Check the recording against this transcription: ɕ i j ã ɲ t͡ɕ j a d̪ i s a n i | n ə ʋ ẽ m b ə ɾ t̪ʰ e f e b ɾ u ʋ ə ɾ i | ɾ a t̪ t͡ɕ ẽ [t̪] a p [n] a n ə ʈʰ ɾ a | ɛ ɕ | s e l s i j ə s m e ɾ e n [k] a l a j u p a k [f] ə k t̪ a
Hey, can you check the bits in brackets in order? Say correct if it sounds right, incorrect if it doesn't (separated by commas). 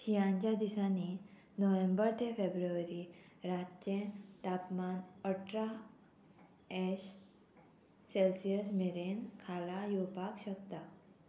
correct, incorrect, incorrect, incorrect